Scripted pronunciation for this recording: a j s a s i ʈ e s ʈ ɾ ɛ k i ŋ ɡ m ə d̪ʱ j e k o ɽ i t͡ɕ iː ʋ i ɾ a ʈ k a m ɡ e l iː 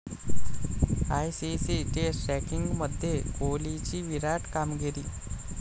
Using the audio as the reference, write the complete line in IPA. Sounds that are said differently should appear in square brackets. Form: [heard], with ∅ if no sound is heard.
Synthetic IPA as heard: a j s [i] s i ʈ e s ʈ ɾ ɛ k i ŋ ɡ m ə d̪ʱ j e k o [l] i t͡ɕ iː ʋ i ɾ a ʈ k a m ɡ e [ɾ] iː